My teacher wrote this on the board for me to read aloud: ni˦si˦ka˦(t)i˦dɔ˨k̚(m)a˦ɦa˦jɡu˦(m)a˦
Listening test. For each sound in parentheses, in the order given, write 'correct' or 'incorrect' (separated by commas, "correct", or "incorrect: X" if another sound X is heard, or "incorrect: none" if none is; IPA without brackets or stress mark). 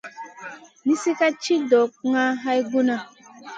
incorrect: t͡ʃ, incorrect: ŋ, incorrect: n